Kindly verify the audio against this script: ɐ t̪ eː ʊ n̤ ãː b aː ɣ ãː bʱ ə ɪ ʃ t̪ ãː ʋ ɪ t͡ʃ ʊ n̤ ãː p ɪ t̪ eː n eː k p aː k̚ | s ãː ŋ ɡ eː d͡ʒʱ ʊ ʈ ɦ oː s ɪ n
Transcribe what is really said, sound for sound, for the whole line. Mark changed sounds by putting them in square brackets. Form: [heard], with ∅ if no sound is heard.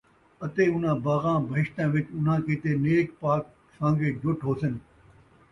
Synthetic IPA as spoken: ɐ t̪ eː ʊ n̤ ãː b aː ɣ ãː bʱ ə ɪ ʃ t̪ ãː ʋ ɪ t͡ʃ ʊ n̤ ãː [k] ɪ t̪ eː n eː k p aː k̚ | s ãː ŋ ɡ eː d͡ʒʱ ʊ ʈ ɦ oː s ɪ n